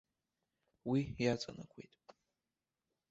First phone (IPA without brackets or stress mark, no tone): w